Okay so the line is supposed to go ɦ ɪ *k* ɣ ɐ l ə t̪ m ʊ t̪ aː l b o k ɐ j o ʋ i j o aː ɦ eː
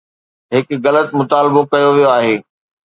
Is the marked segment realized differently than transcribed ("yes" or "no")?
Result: no